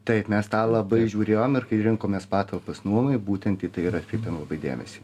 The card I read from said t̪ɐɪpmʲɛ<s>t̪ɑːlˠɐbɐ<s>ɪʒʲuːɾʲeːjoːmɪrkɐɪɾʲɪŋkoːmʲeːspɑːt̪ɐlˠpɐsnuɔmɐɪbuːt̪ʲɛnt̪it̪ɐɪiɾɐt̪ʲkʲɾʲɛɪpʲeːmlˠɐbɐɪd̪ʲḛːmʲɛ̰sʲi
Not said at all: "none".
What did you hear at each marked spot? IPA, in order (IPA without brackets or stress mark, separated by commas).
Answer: s, none